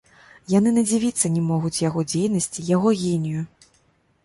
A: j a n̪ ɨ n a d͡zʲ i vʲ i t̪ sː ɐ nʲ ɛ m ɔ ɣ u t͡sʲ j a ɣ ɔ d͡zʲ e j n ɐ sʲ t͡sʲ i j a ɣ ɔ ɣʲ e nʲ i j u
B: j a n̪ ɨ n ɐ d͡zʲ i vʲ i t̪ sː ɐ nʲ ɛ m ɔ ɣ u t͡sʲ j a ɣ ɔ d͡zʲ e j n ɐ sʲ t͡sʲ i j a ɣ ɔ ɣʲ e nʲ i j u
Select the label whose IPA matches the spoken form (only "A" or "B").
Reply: B